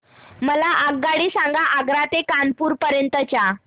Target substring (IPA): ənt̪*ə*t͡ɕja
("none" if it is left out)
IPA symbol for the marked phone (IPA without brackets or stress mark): ə